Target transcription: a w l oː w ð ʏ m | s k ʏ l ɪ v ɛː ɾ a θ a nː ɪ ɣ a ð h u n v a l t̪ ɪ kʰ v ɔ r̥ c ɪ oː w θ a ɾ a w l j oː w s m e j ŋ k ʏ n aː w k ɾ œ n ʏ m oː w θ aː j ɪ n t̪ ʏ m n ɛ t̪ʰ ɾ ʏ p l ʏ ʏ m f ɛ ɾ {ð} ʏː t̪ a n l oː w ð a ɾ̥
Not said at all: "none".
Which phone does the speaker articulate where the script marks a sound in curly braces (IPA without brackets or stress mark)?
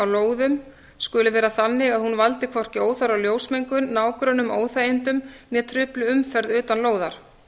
ð